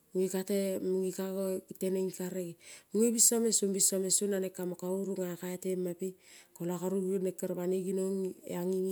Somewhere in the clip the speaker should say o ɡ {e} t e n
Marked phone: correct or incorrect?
incorrect